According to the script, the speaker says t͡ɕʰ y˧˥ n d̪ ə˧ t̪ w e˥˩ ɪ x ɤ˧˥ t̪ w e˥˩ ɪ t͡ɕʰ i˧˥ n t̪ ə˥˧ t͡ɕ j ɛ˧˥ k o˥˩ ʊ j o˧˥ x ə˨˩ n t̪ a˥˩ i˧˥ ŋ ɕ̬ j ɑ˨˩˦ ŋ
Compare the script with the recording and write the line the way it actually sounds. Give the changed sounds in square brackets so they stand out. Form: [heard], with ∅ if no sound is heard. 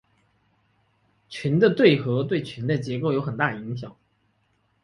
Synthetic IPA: t͡ɕʰ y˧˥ n d̪ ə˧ t̪ w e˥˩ ɪ x ɤ˧˥ t̪ w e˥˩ ɪ t͡ɕʰ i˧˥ n [d̪] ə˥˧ t͡ɕ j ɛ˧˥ k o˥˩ ʊ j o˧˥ x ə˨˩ n t̪ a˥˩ i˧˥ ŋ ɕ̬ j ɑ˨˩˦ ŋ